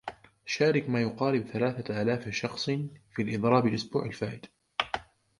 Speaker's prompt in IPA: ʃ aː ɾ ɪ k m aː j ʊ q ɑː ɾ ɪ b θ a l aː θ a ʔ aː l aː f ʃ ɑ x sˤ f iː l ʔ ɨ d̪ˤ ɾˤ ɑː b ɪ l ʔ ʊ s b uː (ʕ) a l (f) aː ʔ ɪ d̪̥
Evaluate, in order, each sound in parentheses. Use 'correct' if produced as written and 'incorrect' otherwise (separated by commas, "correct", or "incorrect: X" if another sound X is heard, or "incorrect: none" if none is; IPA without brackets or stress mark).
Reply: correct, correct